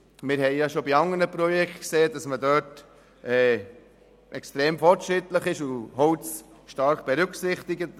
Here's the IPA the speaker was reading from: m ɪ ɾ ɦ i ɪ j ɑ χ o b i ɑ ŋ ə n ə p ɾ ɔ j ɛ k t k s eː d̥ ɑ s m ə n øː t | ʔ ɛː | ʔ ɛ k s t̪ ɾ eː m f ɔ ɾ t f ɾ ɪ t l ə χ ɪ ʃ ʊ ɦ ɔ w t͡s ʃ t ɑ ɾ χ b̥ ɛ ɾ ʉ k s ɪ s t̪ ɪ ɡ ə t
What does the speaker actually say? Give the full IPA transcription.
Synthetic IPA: m ɪ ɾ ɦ ɛ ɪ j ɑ ʃ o b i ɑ ŋ ə n ə p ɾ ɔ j ɛ k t k s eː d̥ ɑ s m ə d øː t | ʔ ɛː | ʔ ɛ k s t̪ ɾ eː m f ɔ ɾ t ʃ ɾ ɪ t l ə χ ɪ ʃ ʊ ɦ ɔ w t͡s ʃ t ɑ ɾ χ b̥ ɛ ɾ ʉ k s ɪ χ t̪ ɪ ɡ ə t